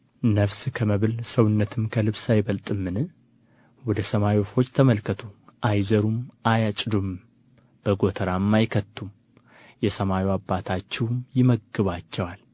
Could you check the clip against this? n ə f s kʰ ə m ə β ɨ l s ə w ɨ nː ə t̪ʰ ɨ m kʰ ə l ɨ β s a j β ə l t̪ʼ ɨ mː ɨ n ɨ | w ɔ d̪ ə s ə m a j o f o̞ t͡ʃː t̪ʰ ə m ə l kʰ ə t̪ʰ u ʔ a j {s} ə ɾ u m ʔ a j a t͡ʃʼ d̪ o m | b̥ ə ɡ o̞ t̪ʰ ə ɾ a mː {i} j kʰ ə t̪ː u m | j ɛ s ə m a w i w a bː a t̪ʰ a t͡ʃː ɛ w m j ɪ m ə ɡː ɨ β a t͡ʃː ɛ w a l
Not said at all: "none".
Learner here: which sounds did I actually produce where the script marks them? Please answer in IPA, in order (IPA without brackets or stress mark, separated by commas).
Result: z, a